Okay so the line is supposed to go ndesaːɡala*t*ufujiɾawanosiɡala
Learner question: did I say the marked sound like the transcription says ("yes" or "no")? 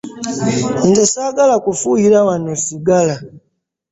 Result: no